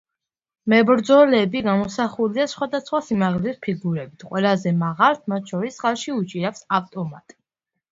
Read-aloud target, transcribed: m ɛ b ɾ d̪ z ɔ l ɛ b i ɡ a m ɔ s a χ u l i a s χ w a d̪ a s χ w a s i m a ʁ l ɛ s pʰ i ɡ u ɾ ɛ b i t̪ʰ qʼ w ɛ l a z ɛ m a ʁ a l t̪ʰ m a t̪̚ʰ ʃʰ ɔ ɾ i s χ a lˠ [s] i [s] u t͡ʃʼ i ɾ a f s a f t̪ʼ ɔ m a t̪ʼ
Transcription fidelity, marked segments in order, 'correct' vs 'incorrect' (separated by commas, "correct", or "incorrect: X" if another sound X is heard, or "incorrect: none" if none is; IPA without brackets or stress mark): incorrect: ʃ, incorrect: none